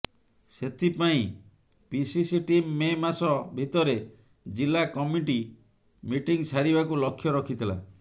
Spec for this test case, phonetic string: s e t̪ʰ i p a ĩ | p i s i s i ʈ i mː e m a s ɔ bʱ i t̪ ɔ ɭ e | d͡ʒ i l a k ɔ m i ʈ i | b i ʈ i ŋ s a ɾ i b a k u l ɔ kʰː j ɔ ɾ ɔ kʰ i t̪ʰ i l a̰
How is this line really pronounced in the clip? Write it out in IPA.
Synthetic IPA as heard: s e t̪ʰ i p a ĩ | p i s i s i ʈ i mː e m a s ɔ bʱ i t̪ ɔ ɾ e | d͡ʒ i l a k ɔ m i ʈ i | m i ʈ i ŋ s a ɾ i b a k u l ɔ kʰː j ɔ ɾ ɔ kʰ i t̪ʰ i l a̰